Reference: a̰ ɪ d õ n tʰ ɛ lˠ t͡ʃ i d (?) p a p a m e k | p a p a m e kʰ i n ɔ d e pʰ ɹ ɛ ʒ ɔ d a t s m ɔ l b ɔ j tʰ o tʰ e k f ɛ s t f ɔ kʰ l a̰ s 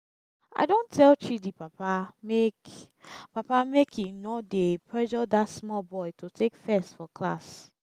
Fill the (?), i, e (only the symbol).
i